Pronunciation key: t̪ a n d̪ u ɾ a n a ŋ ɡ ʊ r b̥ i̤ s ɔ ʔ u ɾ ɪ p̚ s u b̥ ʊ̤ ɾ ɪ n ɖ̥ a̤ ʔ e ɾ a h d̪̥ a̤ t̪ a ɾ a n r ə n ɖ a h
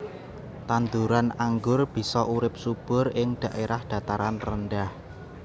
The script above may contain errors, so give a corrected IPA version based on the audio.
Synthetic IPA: t̪ a n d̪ u ɾ a n a ŋ ɡ ʊ r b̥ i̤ s ɔ ʔ u ɾ ɪ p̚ s u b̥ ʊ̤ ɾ ɪ ŋ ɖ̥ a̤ ʔ e ɾ a h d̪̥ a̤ t̪ a ɾ a n r ə n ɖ a h